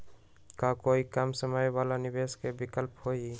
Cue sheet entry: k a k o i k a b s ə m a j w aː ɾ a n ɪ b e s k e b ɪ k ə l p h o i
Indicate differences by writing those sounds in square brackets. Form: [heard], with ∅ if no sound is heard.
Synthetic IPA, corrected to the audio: k a k o i k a [m] s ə m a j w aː [l] a n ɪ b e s k e b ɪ k ə l p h o i